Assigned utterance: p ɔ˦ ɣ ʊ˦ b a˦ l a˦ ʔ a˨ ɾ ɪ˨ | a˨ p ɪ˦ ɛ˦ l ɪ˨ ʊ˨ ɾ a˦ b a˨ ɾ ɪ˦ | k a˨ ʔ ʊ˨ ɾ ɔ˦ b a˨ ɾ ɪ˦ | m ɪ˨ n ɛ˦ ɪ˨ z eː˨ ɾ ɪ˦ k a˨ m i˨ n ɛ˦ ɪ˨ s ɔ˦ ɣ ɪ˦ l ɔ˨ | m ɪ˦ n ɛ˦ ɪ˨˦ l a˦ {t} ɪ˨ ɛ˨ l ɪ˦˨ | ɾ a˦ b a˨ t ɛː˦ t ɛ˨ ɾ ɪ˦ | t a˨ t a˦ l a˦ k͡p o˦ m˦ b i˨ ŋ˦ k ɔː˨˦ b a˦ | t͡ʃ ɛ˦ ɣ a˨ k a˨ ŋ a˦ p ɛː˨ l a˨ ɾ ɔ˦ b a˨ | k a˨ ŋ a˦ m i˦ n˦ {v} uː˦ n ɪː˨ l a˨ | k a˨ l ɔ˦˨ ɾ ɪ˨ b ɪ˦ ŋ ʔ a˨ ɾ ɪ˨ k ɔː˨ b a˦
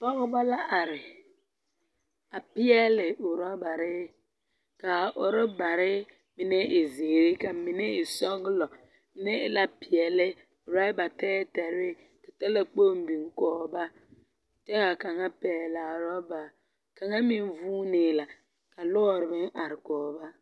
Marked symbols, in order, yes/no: no, yes

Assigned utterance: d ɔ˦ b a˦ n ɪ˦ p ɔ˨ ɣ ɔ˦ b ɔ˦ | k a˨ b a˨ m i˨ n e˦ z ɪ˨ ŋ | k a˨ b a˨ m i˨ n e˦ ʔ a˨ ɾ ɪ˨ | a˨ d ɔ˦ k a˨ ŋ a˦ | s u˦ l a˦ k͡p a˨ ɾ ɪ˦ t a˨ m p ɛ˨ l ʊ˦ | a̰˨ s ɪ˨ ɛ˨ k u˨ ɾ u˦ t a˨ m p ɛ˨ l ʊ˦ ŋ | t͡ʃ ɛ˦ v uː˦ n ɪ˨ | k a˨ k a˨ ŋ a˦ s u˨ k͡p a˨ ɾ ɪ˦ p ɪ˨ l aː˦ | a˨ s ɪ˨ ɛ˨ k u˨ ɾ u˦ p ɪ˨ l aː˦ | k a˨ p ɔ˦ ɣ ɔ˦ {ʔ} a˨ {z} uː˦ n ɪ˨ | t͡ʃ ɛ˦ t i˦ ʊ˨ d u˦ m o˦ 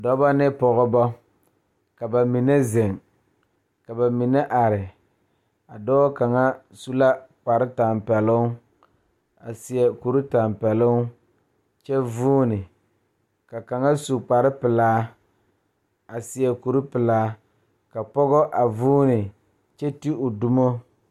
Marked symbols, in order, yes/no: yes, no

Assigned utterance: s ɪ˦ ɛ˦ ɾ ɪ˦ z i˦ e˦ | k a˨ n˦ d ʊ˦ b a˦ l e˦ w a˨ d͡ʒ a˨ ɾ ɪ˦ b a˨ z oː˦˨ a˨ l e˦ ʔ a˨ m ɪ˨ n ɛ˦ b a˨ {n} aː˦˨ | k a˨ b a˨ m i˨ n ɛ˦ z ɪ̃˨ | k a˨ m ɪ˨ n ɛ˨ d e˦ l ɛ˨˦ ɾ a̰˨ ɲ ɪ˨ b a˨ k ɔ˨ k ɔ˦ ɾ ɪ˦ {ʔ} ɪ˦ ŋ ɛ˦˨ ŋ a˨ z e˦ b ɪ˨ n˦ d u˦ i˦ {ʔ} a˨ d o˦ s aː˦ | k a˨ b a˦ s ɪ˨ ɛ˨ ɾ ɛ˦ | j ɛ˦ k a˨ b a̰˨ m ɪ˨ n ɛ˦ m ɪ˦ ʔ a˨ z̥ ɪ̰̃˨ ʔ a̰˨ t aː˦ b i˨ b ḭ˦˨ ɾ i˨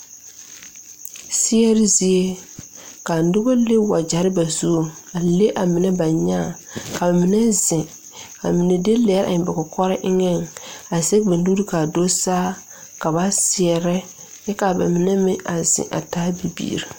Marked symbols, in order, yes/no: no, yes, no

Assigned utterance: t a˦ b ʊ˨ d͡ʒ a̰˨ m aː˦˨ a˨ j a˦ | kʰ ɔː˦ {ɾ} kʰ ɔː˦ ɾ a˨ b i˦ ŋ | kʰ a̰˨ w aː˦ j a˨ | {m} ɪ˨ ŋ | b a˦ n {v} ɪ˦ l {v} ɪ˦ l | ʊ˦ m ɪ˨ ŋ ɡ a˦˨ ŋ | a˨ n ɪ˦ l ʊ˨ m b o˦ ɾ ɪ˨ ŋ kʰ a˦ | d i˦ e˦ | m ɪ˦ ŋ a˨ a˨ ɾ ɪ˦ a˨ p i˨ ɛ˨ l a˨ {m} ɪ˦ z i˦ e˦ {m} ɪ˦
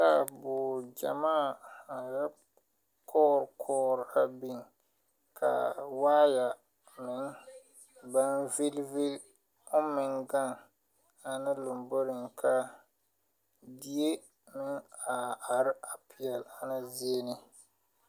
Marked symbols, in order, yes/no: yes, yes, yes, yes, no, no

